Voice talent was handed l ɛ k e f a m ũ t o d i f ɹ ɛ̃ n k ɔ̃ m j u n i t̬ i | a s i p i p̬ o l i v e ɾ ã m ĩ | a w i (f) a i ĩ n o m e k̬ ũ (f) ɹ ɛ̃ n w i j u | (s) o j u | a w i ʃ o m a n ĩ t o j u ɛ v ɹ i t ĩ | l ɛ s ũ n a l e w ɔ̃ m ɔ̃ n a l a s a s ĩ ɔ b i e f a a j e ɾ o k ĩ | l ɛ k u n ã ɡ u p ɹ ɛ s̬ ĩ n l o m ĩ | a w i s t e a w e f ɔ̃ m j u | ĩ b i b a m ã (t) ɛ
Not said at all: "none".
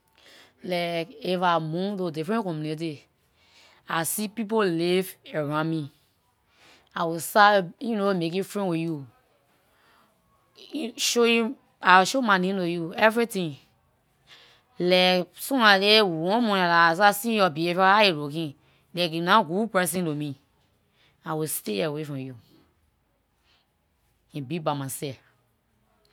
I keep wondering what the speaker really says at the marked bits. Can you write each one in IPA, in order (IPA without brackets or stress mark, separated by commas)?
s, f, ʃ, s